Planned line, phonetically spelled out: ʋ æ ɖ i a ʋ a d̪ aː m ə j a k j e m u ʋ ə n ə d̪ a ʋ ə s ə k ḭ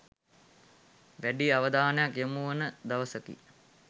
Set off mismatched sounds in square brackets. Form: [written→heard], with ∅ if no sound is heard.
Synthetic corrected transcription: ʋ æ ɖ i a ʋ [a→ə] d̪ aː [m→n] ə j a k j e m u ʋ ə n ə d̪ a ʋ ə s ə k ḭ